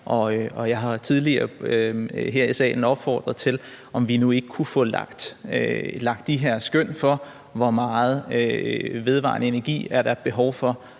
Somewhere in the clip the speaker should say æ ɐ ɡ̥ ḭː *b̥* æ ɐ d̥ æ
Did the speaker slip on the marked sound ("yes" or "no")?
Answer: yes